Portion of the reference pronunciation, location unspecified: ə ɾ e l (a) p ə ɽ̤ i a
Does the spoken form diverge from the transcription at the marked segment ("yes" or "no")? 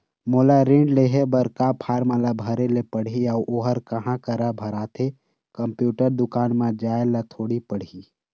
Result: yes